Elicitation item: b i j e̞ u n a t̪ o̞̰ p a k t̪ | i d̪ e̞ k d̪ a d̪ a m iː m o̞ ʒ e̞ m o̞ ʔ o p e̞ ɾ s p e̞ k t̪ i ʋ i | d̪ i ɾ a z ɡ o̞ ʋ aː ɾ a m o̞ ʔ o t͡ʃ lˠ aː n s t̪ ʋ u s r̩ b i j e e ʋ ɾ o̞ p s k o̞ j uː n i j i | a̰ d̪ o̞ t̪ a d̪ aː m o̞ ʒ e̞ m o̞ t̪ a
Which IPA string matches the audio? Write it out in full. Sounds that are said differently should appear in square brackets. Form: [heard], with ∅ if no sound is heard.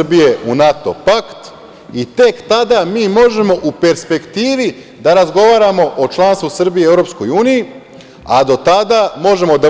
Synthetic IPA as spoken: b i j e̞ u n a t̪ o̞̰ p a k t̪ | i [t̪] e̞ k [t̪] a d̪ a m iː m o̞ ʒ e̞ m o̞ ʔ [u] p e̞ ɾ s p e̞ k t̪ [iː] ʋ i | d̪ [a] ɾ a z ɡ o̞ ʋ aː ɾ a m o̞ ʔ o t͡ʃ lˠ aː n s t̪ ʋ u s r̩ b i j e e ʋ ɾ o̞ p s k o̞ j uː n i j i | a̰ d̪ o̞ t̪ a d̪ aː m o̞ ʒ e̞ m o̞ [d̪] a

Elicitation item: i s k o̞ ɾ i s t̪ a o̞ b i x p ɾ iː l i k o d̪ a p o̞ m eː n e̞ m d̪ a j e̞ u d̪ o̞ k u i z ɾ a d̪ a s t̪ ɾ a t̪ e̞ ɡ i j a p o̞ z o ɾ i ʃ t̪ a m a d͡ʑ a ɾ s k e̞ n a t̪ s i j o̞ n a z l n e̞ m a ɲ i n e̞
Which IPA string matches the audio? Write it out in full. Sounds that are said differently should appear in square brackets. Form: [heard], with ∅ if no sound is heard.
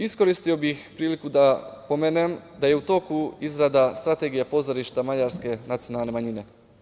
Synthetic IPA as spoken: i s k o̞ ɾ i s t̪ [i] o̞ b i x p ɾ iː l i k [u] d̪ a p o̞ m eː n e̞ m d̪ a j e̞ u [t̪] o̞ k u i z ɾ a d̪ a s t̪ ɾ a t̪ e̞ ɡ i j a p o̞ z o ɾ i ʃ t̪ a m a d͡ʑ a ɾ s k e̞ n a t̪ s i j o̞ n a [∅] l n e̞ m a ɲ i n e̞

